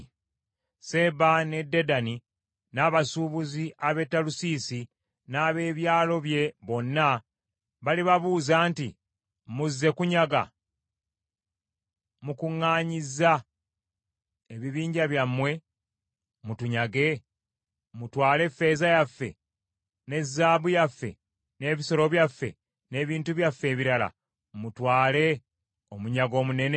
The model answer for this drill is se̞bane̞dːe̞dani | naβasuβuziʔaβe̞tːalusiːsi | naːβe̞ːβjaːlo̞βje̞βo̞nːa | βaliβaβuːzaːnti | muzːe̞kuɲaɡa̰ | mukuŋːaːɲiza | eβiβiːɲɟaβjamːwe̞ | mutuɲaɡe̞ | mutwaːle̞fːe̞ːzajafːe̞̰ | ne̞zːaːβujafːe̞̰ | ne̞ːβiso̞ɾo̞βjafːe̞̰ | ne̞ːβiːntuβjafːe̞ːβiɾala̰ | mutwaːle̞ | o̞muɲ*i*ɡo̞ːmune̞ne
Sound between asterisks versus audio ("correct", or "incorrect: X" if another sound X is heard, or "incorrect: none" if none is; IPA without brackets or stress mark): incorrect: a